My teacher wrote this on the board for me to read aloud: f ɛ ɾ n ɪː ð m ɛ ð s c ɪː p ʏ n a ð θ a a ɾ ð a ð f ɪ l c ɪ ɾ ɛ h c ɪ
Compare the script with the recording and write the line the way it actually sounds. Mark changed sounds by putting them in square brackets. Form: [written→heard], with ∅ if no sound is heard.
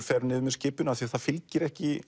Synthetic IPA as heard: f ɛ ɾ n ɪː ð m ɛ ð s c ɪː p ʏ n a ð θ [a→i] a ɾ [ð→θ] a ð f ɪ l c ɪ ɾ ɛ h c ɪ

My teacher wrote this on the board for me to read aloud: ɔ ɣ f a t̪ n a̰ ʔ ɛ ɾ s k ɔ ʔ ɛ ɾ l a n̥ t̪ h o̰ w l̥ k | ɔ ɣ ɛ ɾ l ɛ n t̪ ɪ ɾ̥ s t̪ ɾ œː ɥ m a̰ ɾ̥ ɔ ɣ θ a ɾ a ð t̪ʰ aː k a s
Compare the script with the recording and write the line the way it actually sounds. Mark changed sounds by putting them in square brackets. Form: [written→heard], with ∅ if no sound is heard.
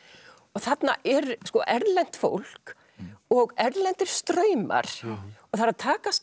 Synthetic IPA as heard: ɔ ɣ [f→θ] a t̪ n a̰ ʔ ɛ ɾ s k ɔ ʔ ɛ ɾ l [a→ɛ] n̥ t̪ [h→f] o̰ w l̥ k | ɔ ɣ ɛ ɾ l ɛ n t̪ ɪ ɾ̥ s t̪ ɾ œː ɥ m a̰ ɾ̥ ɔ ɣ θ a ɾ a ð t̪ʰ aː k a s

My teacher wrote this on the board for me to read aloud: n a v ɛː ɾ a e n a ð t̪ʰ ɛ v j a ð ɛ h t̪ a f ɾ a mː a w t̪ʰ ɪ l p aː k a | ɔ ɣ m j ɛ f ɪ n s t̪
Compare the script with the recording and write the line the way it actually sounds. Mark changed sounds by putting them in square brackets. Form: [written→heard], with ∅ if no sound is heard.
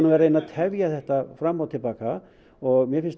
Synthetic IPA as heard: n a v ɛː ɾ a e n a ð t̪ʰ ɛ v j a [ð→θ] ɛ h t̪ a f ɾ a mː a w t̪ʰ ɪ l p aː k a | ɔ ɣ m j ɛ f ɪ n s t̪

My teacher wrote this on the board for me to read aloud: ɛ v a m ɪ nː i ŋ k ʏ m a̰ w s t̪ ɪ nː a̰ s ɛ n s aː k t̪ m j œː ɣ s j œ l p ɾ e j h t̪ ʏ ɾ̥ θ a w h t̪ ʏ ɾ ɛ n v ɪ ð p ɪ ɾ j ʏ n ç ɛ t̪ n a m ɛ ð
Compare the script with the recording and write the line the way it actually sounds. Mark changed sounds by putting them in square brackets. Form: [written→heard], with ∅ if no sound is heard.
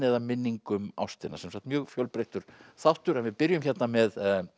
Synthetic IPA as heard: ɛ [v→ð] a m ɪ nː i ŋ k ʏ m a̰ w s t̪ ɪ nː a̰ s ɛ [n→m] s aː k t̪ m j œː ɣ [s→f] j œ l p ɾ e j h t̪ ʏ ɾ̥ θ a w h t̪ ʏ ɾ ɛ n v ɪ ð p ɪ ɾ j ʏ [n→m] ç ɛ t̪ n a m ɛ ð

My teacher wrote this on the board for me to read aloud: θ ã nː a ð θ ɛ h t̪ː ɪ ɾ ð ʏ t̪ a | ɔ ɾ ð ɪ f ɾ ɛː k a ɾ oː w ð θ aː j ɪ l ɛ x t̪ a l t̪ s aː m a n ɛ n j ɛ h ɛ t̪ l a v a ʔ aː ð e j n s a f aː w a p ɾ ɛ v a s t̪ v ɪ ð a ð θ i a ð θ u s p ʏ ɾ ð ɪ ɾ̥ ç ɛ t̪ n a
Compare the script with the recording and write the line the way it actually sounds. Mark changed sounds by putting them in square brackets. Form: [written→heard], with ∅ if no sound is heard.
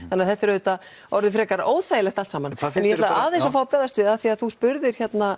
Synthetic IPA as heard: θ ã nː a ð θ ɛ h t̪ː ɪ ɾ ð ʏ t̪ a | ɔ ɾ ð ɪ f ɾ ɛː k a ɾ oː w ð θ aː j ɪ l ɛ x t̪ a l t̪ s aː m a n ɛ n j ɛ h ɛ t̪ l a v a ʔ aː ð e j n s a f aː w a p ɾ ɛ [v→ð] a s t̪ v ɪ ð a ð θ i a ð θ u s p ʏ ɾ ð ɪ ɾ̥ ç ɛ t̪ n a

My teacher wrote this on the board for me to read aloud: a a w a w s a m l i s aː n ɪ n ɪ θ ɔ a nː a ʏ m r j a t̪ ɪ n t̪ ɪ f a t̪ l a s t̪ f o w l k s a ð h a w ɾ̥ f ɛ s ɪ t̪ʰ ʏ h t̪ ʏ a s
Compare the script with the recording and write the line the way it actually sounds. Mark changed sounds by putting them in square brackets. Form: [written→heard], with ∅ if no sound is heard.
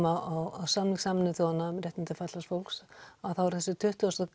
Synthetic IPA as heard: a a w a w s a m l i s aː [n→m] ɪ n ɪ θ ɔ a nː a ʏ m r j [a→ɛ] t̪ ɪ n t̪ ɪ f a t̪ l a s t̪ f o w l k s a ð [h→θ] a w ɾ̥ [f→θ] ɛ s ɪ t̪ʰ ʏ h t̪ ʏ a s

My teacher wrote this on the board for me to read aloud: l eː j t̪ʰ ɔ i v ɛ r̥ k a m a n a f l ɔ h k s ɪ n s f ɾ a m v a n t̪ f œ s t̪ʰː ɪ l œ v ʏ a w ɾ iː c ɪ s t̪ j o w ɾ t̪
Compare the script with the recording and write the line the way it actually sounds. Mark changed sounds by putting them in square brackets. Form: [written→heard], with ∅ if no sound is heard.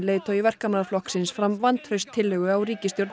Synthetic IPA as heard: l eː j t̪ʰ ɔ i v ɛ r̥ k a m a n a f l ɔ h k s ɪ n s f ɾ a m v a n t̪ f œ s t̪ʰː ɪ l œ [v→ɣ] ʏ a w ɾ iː c ɪ s t̪ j o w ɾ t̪

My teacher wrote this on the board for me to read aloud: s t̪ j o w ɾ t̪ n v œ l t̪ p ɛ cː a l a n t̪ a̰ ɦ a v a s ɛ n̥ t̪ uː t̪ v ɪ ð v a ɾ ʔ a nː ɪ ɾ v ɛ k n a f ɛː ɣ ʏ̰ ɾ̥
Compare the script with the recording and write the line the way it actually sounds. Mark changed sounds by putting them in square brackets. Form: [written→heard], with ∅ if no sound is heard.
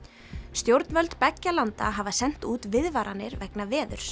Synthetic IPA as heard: s t̪ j o w ɾ t̪ n v œ l t̪ p ɛ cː a l a n t̪ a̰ ɦ a v a s ɛ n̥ t̪ uː t̪ v ɪ ð v a ɾ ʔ a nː ɪ ɾ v ɛ k n a [f→v] ɛː [ɣ→ð] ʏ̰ ɾ̥

